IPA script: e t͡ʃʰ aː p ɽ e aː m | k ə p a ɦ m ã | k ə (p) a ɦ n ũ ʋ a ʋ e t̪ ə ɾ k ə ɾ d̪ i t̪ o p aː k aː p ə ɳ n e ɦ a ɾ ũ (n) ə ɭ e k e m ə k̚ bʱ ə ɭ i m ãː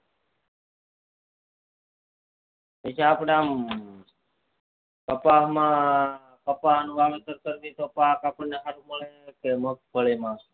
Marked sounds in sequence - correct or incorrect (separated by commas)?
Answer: correct, incorrect